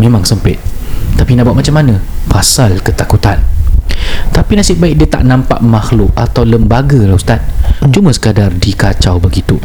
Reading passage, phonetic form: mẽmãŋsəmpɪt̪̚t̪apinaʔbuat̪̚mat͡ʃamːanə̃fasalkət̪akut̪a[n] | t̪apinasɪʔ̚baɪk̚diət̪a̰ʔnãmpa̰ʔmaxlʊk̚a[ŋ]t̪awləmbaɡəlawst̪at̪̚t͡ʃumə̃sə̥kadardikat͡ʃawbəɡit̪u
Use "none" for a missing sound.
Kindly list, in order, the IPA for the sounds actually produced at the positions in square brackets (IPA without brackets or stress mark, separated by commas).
n, none